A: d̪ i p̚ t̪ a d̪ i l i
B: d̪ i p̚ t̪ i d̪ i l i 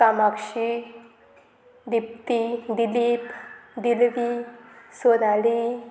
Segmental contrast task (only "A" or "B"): B